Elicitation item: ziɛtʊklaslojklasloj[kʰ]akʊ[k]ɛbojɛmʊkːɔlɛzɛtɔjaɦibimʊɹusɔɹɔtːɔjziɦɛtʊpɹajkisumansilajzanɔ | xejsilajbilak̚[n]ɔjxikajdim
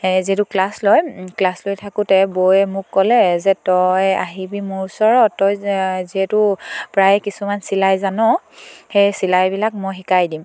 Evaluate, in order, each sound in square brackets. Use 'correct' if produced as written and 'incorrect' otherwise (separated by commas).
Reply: incorrect, incorrect, incorrect